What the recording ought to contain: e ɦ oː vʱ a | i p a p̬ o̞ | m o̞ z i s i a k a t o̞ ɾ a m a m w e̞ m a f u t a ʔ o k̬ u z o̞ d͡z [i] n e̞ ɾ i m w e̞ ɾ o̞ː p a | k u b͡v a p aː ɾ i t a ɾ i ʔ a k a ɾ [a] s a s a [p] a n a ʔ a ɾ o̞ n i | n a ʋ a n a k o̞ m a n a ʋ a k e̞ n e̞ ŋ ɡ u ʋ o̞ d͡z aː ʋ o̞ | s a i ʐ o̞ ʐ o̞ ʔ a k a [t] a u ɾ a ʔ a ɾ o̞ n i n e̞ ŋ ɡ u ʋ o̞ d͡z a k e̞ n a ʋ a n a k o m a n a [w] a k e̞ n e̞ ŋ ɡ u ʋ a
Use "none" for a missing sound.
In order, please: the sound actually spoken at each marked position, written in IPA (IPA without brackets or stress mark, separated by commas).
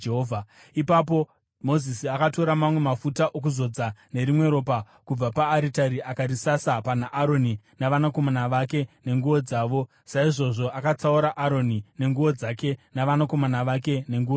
a, i, p, t͡s, ʋ